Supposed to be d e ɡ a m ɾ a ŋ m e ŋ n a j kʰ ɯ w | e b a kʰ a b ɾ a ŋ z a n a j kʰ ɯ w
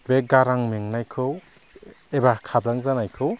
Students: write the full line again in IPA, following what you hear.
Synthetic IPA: b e ɡ a ɾ a ŋ m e ŋ n a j kʰ ɯ w | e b a kʰ a b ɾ a ŋ z a n a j kʰ ɯ w